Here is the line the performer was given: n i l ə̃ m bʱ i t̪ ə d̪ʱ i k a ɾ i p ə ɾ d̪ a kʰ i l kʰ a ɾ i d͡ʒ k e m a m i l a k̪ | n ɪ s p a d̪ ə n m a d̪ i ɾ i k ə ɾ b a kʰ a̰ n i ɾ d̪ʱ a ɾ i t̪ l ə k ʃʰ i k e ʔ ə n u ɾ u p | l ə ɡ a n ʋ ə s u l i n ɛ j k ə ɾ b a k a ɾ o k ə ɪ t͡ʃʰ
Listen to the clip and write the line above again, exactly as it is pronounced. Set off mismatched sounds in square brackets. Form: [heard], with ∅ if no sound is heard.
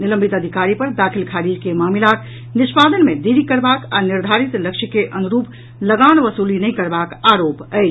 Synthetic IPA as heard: n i l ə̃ m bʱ i t̪ ə d̪ʱ i k a ɾ i p ə ɾ d̪ a kʰ i l kʰ a ɾ i d͡ʒ k e m a m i l a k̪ | n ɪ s p a d̪ ə n m [e] d̪ i ɾ i k ə ɾ b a [k] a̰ n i ɾ d̪ʱ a ɾ i t̪ l ə k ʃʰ i k e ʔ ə n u ɾ u p | l ə ɡ a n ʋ ə s u l i n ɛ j k ə ɾ b a k a ɾ o [p] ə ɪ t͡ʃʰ